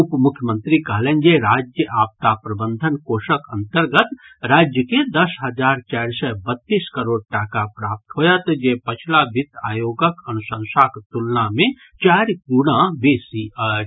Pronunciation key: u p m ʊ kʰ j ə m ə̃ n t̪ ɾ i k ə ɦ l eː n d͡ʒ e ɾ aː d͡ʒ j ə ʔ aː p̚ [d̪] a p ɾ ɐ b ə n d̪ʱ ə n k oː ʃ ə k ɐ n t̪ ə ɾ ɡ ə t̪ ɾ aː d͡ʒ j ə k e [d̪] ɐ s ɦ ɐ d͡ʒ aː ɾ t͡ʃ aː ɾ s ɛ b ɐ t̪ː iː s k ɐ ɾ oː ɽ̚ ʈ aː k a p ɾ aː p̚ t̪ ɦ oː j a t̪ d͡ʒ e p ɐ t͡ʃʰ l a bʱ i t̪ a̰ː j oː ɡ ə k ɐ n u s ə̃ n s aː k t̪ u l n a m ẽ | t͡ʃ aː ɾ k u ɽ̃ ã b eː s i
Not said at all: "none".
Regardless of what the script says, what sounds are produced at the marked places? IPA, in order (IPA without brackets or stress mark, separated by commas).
t̪, d̪